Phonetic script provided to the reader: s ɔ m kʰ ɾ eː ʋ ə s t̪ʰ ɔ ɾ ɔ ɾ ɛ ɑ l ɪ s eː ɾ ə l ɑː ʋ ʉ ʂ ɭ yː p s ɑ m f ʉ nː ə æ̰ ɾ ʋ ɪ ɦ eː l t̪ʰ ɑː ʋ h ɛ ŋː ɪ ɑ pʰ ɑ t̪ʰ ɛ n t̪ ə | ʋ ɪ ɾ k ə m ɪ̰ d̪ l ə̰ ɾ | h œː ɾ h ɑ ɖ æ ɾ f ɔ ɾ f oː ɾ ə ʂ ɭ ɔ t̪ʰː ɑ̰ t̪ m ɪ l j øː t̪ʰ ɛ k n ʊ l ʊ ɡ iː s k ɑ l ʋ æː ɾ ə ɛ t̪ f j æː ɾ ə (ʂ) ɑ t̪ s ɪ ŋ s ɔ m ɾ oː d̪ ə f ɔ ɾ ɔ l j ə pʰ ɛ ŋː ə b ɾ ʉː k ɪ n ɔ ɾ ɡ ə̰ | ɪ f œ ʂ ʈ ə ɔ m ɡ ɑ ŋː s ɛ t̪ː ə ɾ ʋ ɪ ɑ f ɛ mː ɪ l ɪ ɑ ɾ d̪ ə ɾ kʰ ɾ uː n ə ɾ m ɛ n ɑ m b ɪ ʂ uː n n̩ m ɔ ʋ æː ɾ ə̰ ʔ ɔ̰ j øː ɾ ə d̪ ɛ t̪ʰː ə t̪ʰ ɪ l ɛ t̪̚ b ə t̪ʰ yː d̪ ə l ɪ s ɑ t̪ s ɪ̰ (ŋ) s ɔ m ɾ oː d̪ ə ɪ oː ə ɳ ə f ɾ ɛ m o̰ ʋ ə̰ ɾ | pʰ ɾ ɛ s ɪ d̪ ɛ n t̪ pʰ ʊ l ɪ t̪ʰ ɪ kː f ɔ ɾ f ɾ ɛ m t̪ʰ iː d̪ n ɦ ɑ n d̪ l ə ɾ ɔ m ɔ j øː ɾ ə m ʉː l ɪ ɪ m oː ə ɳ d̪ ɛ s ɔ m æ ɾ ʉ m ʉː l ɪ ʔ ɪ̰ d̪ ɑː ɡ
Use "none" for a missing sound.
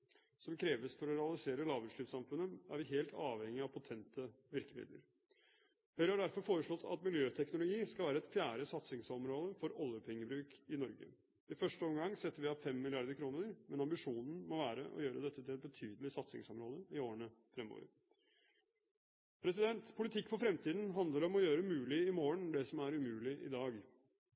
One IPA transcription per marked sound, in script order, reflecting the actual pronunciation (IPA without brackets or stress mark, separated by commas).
s, ŋ